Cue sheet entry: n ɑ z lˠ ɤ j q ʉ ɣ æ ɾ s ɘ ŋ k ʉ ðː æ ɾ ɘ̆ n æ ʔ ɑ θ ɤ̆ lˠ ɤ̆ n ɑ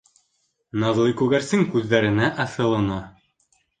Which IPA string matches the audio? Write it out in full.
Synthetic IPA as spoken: n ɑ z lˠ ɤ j k ʉ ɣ æ ɾ s ɘ ŋ k ʉ ðː æ ɾ ɘ̆ n æ ʔ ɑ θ ɤ̆ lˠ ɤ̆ n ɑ